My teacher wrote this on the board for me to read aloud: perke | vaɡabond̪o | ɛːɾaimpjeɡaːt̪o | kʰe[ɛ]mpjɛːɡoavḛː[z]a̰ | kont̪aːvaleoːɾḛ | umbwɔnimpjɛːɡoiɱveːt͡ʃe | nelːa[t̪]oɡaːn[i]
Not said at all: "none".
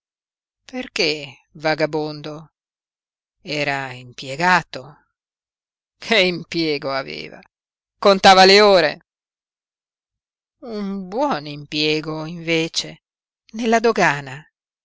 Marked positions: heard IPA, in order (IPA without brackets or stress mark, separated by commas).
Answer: i, v, d̪, a